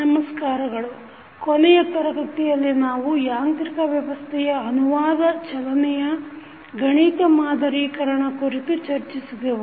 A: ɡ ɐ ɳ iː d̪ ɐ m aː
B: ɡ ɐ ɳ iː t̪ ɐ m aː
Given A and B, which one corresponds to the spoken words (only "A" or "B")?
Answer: B